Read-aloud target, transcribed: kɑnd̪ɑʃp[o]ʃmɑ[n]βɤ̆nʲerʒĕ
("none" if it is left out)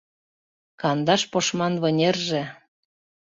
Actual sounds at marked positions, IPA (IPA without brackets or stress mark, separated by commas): o, n